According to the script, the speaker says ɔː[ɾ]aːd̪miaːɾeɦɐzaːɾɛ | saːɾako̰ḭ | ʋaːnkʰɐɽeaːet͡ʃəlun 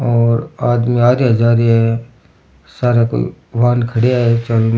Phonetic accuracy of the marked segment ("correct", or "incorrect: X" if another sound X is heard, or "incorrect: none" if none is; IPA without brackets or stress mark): correct